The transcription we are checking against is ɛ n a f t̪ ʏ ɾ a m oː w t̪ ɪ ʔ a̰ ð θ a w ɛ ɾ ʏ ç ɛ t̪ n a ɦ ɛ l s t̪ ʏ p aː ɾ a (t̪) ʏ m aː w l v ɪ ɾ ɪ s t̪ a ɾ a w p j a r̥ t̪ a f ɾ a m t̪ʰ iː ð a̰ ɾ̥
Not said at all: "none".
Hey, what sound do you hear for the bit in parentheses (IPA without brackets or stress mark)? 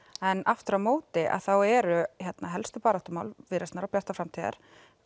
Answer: t̪